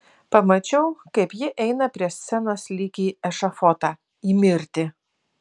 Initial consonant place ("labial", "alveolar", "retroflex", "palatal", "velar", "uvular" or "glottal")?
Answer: labial